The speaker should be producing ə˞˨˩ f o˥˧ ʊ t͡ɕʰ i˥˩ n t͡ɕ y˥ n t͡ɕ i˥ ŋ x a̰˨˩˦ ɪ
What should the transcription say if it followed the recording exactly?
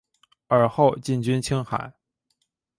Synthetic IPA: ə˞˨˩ x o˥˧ ʊ t͡ɕ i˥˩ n t͡ɕ y˥ n t͡ɕʰ i˥ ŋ x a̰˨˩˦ ɪ

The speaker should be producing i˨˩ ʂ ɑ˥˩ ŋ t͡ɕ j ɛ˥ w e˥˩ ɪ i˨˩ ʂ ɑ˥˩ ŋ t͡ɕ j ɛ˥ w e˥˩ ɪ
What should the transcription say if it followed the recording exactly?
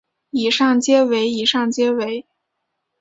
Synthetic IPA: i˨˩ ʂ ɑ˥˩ ŋ t͡ɕ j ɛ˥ w e˧˥ ɪ i˨˩ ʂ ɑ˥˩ ŋ t͡ɕ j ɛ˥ w e˧˥ ɪ

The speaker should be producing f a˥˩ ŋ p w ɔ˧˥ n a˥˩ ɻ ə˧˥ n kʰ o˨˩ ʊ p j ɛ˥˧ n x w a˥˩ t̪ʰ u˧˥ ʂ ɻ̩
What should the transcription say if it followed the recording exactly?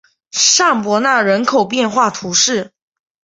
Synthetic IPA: ʂ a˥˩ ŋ p w ɔ˧˥ n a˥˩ ɻ ə˧˥ n kʰ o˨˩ ʊ p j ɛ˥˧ n x w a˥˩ t̪ʰ u˧˥ ʂ ɻ̩

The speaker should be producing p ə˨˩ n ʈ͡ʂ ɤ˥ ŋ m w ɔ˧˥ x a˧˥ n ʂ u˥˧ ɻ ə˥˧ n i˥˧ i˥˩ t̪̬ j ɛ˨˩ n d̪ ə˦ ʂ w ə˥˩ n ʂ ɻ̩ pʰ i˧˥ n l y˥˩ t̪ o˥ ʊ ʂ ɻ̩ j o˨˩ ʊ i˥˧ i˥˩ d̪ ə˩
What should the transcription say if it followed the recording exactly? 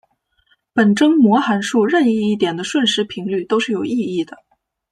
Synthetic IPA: p ə˨˩ n ʈ͡ʂ ɤ˥ ŋ m w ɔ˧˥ x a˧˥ n ʂ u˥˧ ɻ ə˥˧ n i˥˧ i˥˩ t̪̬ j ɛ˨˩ n d̪ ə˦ ʂ w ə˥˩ n ʂ ɻ̩ pʰ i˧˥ ŋ l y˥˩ t̪ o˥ ʊ ʂ ɻ̩ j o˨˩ ʊ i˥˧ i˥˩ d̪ ə˩

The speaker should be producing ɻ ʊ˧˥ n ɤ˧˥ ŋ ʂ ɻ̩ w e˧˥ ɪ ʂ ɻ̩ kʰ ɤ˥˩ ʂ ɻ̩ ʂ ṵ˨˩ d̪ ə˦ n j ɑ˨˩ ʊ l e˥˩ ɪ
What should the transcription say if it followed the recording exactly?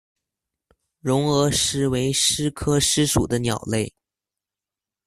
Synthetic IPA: ɻ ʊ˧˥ ŋ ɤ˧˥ ʂ ɻ̩ w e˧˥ ɪ ʂ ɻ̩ kʰ ɤ˥ ʂ ɻ̩ ʂ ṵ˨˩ d̪ ə˦ n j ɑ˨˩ ʊ l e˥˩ ɪ

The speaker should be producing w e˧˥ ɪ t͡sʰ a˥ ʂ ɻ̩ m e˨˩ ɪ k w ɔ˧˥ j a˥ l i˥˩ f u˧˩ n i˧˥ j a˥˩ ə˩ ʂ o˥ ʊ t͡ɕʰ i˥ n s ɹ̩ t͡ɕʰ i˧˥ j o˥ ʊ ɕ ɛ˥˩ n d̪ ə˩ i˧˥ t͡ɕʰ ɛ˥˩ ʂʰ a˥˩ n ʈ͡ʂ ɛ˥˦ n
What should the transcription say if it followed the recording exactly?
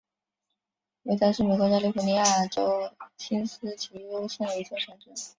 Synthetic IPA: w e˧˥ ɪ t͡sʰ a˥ ʂ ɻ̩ m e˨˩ ɪ k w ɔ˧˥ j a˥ l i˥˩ f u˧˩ n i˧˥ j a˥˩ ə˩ ʈ͡ʂ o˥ ʊ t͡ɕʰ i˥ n s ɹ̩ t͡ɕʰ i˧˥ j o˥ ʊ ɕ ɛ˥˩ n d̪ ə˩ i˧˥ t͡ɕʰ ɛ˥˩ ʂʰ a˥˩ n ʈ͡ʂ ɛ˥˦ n

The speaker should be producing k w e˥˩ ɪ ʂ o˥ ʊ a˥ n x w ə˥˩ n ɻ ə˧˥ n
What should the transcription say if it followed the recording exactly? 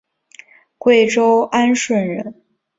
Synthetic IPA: k w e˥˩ ɪ ʈ͡ʂ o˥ ʊ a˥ n ʂ w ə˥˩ n ɻ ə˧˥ n

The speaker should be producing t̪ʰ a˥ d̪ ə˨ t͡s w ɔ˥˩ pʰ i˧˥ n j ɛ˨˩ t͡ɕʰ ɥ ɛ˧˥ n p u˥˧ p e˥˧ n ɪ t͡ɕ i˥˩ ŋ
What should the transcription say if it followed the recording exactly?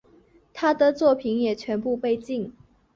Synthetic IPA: t̪ʰ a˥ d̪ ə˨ t͡s w ɔ˥˩ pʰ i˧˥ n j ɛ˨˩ t͡ɕʰ ɥ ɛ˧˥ n p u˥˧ p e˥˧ ɪ t͡ɕ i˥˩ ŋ

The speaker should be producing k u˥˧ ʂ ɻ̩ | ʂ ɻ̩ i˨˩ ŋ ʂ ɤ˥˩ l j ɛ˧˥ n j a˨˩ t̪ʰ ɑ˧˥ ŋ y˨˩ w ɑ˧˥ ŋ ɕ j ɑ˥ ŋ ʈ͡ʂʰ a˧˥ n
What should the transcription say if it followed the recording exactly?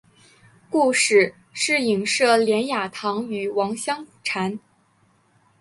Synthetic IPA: k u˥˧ ʂ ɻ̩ | ʂ ɻ̩ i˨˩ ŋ ʂ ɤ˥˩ l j ɛ˧˥ n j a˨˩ t̪ʰ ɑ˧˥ ŋ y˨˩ w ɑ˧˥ ŋ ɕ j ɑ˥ ŋ ʈ͡ʂʰ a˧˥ n

